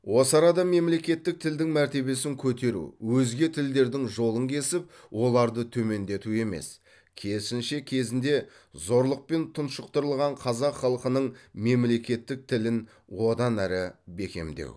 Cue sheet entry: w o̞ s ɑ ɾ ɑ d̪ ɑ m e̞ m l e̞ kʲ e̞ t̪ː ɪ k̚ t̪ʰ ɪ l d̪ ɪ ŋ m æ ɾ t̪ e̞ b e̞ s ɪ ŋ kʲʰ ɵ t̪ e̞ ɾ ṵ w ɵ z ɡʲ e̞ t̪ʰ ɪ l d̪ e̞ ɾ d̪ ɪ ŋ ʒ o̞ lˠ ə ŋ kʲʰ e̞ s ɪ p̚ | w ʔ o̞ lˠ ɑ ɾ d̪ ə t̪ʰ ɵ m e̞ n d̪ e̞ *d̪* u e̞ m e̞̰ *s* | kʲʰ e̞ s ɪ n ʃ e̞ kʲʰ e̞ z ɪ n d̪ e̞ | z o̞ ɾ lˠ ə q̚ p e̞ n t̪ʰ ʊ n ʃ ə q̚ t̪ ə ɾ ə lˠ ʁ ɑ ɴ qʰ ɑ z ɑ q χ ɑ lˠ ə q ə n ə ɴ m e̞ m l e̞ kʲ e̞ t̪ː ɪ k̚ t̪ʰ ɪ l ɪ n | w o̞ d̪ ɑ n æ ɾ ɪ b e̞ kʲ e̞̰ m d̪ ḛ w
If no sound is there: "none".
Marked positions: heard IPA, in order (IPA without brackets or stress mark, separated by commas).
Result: t̪, s